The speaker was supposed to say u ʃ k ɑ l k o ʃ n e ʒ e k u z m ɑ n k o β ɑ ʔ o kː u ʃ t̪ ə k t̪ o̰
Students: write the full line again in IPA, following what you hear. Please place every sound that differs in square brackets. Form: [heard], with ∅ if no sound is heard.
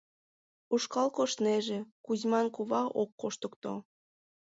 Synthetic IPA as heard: u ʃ k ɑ l k o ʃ n e ʒ e k u z m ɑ n k [u] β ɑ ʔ o kː [o] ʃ t̪ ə k t̪ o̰